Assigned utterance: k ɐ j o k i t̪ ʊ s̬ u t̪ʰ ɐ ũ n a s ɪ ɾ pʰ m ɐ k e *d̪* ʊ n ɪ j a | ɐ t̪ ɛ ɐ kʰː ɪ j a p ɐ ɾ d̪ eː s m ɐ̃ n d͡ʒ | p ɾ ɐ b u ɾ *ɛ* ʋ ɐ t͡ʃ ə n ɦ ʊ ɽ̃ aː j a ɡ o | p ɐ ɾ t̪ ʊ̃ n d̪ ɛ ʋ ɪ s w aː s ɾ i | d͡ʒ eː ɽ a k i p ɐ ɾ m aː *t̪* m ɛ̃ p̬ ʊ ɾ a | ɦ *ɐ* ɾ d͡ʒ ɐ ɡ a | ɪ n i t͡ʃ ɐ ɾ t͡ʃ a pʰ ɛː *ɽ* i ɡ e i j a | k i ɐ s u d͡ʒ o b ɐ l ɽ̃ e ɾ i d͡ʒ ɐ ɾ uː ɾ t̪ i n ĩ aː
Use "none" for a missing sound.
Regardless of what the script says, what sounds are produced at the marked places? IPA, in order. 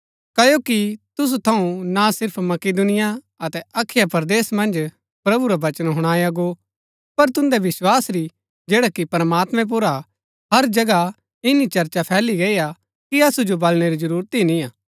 d̪, a, t̪, ɐ, l

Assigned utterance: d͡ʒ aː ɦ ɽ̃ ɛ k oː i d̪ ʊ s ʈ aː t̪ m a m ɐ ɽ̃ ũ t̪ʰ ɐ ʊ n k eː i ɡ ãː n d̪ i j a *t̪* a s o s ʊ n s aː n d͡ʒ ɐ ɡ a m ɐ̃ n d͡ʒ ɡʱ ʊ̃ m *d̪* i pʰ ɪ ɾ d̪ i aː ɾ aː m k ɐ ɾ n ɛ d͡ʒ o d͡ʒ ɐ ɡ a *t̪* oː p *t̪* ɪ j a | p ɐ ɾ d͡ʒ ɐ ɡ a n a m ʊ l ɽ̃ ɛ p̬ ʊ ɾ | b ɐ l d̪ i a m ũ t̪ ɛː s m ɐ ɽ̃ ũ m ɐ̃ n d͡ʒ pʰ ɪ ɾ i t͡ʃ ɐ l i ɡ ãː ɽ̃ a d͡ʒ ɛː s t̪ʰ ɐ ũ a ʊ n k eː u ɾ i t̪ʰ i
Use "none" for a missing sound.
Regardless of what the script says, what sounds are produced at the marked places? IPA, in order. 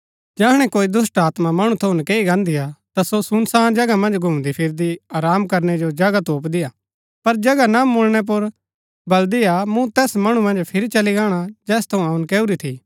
t̪, d̪, t̪, d̪

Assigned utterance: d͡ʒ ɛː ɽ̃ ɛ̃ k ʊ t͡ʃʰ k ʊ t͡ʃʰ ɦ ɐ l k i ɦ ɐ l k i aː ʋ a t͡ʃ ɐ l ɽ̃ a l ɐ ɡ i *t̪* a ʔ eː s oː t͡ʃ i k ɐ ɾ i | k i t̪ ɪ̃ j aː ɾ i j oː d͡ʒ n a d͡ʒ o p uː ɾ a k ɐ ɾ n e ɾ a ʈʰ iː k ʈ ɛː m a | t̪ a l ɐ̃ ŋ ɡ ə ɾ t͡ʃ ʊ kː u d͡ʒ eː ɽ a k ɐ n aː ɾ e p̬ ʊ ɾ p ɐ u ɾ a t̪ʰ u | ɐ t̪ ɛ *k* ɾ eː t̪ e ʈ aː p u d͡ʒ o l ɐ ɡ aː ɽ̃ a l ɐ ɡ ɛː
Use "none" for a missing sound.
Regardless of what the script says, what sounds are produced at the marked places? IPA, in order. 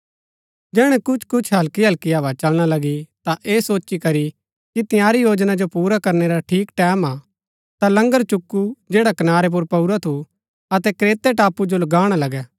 t̪, k

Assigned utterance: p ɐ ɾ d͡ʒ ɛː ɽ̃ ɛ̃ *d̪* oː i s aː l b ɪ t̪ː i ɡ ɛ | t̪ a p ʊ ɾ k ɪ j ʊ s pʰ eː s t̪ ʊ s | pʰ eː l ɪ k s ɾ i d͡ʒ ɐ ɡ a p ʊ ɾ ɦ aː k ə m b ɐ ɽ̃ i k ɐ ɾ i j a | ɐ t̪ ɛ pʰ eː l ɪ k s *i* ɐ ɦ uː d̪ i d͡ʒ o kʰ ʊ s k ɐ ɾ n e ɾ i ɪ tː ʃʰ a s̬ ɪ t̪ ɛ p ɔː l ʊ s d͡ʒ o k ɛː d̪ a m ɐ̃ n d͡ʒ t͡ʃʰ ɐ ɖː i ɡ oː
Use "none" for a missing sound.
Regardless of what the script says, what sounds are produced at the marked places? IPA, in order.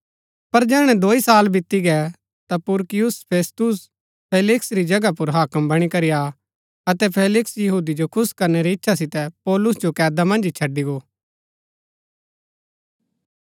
d̪, j

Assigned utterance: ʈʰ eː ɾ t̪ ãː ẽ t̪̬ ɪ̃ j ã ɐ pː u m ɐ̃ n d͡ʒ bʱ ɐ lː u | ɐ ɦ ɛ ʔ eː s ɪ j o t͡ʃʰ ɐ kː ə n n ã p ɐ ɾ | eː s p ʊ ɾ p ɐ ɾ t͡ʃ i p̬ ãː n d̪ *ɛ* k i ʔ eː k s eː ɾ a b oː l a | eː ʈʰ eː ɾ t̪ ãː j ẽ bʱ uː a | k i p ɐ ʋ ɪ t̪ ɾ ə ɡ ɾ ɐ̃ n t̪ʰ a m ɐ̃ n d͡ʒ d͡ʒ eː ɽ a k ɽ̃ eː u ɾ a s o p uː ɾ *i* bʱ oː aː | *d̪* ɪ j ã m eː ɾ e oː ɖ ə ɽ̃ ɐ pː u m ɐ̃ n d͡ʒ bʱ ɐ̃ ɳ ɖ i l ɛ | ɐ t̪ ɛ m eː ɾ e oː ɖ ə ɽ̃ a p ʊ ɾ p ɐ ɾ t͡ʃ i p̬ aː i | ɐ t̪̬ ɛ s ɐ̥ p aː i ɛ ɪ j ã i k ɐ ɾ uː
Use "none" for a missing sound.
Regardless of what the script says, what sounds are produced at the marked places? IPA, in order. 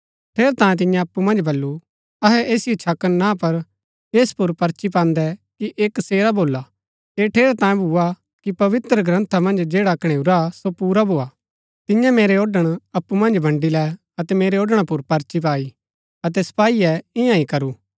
ɛ, a, t̪

